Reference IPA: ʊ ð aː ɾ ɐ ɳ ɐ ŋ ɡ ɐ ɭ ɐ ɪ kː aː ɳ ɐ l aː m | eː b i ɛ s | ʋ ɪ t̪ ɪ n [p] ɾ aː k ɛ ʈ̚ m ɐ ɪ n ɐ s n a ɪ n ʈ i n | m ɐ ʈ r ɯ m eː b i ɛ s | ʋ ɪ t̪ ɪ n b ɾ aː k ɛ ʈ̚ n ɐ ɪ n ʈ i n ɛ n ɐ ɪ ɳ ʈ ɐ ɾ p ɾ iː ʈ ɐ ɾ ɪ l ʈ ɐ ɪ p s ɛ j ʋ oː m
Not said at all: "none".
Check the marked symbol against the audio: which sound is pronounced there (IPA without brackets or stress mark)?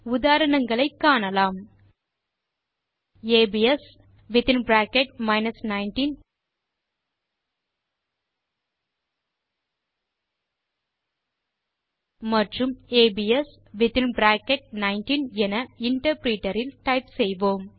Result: b